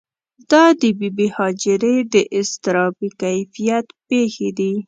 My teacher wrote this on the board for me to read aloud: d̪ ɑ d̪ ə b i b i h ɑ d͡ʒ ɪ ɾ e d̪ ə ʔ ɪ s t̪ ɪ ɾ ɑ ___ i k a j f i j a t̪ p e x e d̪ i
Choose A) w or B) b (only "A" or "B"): B